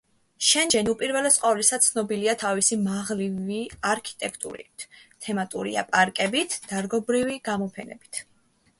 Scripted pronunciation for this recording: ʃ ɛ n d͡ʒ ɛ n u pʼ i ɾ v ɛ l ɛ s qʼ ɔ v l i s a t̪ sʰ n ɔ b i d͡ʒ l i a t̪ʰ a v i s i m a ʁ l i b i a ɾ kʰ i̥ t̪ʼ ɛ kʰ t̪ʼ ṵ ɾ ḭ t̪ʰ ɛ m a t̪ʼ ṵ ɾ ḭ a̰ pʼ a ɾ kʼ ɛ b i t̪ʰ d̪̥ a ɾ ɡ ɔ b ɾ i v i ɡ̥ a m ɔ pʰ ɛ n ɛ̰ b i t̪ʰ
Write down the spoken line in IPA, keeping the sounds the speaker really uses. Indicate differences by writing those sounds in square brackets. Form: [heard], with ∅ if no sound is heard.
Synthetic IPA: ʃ ɛ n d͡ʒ ɛ n u pʼ i ɾ v ɛ l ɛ s qʼ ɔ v l i s a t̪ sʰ n ɔ b i [∅] l i a t̪ʰ a v i s i m a ʁ l i [v] i a ɾ kʰ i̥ t̪ʼ ɛ kʰ t̪ʼ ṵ ɾ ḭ t̪ʰ ɛ m a t̪ʼ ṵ ɾ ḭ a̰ pʼ a ɾ kʼ ɛ b i t̪ʰ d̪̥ a ɾ ɡ ɔ b ɾ i v i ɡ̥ a m ɔ pʰ ɛ n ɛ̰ b i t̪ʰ